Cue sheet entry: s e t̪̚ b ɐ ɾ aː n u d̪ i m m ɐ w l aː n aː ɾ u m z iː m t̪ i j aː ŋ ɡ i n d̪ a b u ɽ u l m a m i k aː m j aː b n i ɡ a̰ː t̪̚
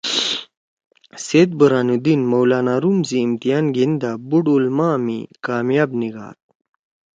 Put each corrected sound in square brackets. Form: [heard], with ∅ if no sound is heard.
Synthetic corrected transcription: s e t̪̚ b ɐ ɾ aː n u d̪ i [n] m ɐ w l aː n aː ɾ u m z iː m t̪ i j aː [n] ɡ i n d̪ a b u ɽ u l m a m i k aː m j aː b n i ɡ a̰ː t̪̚